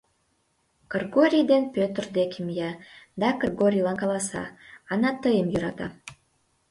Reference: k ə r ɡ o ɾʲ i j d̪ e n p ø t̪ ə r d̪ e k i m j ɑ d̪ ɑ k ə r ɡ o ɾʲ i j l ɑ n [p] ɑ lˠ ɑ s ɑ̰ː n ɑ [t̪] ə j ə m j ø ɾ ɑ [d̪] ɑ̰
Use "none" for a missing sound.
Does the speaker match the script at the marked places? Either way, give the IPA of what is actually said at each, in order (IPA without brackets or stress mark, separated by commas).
k, t̪, t̪